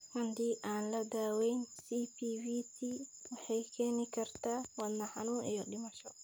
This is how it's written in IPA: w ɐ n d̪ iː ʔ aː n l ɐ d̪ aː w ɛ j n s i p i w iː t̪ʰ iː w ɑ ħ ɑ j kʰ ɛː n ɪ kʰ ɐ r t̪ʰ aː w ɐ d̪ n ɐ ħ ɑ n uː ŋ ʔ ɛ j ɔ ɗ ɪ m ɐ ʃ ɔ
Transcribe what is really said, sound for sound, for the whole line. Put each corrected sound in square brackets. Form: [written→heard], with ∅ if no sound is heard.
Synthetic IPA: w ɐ n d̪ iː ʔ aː n l ɐ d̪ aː w ɛ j n s i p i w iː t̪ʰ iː w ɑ ħ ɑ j kʰ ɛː n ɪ kʰ ɐ r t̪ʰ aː w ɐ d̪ n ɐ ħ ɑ n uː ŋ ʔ [ɛ→i] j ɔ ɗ ɪ m ɐ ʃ ɔ